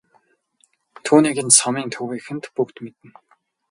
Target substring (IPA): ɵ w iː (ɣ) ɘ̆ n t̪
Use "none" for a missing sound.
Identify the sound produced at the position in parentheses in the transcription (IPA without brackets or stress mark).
x